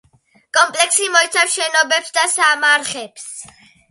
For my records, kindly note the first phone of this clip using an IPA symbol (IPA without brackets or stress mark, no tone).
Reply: kʼ